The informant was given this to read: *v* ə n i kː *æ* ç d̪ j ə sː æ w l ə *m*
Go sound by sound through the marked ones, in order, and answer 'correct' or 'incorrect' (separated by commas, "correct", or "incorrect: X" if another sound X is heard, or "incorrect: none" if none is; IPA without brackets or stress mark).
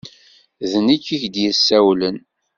incorrect: ð, incorrect: i, incorrect: n